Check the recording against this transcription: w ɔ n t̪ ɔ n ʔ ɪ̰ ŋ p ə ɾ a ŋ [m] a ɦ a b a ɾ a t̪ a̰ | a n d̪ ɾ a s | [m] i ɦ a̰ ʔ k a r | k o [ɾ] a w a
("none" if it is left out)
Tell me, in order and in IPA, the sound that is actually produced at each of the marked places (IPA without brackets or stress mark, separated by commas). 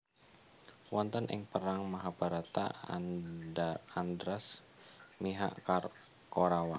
m, m, ɾ